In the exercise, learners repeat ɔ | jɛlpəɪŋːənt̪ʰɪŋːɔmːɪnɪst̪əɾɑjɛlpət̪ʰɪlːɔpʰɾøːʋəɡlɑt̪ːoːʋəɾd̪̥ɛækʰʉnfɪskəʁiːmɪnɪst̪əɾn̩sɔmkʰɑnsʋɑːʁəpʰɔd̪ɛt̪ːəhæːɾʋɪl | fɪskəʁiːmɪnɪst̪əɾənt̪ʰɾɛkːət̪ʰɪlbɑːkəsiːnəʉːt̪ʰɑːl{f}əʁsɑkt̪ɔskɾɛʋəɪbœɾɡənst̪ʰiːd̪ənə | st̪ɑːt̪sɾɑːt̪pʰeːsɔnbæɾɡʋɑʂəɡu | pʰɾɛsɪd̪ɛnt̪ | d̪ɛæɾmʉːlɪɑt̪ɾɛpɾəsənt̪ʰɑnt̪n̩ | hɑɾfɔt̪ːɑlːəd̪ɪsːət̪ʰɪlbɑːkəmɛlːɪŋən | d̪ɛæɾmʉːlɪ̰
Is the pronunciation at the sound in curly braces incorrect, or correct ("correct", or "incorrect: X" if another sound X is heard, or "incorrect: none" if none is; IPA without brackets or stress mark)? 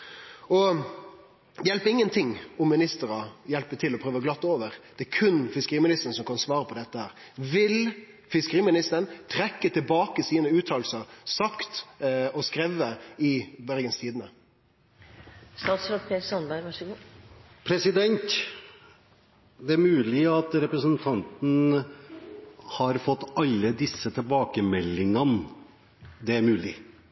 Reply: incorrect: s